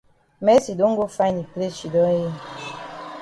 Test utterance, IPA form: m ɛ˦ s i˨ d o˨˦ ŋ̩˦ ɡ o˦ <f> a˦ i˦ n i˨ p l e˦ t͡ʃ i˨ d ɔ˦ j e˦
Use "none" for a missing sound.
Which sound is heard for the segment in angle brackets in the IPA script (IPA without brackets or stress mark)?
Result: f